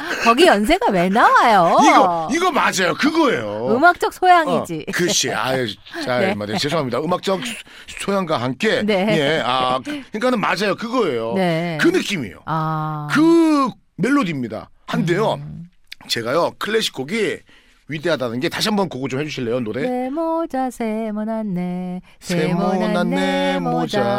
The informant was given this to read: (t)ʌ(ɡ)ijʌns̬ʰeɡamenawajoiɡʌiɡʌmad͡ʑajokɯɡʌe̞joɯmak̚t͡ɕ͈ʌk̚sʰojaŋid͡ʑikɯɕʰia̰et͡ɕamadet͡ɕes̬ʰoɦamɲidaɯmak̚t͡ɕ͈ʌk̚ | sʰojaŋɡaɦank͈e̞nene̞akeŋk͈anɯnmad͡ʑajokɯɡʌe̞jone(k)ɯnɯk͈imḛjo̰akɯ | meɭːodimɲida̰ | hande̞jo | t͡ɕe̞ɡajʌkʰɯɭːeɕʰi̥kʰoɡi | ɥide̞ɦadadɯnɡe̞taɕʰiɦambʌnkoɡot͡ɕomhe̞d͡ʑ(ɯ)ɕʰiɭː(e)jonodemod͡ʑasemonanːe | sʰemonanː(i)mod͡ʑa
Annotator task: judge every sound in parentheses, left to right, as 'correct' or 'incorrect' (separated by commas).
incorrect, correct, correct, incorrect, correct, incorrect